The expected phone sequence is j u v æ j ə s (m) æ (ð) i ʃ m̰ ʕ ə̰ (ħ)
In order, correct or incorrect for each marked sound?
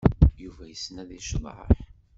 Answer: incorrect: n, correct, correct

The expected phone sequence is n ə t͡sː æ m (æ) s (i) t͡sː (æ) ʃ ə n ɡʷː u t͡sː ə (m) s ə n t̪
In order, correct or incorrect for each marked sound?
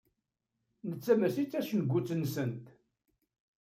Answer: correct, correct, correct, incorrect: n

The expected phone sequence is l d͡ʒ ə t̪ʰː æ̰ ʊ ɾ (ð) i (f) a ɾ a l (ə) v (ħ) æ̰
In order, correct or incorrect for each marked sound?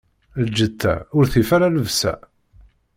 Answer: incorrect: θ, correct, correct, incorrect: s

